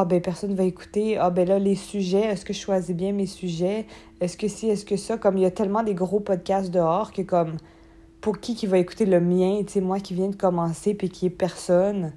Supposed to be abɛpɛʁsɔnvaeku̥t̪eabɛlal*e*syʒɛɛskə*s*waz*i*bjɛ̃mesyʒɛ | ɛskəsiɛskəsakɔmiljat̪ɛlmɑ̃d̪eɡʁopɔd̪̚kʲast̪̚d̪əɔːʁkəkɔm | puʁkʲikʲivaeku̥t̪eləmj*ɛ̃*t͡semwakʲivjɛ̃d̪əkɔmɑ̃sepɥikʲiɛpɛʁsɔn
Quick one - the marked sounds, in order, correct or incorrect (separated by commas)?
correct, incorrect, correct, correct